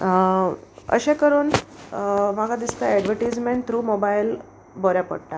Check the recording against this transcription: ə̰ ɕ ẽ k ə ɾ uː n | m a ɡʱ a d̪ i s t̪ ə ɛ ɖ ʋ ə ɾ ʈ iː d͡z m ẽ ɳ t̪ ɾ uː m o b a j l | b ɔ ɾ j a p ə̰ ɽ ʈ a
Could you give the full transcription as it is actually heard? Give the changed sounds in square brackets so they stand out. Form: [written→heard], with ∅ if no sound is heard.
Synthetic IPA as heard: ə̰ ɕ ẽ k ə ɾ uː n | m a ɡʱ a d̪ i s t̪ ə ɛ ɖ ʋ ə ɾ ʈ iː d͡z m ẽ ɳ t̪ ɾ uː m o b a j l | b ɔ ɾ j a p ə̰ ɽ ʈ a